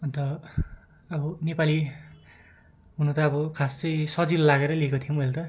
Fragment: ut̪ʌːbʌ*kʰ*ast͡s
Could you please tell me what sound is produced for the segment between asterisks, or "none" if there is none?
kʰ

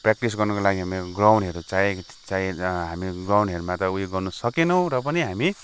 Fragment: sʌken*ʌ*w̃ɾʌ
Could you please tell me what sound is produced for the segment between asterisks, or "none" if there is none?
ʌ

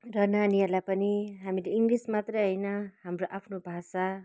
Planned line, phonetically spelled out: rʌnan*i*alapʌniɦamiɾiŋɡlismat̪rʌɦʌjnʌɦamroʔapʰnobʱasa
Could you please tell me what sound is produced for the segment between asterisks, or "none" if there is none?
i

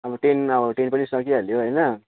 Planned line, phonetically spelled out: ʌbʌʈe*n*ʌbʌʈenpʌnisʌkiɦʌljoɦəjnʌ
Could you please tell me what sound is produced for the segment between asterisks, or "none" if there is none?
n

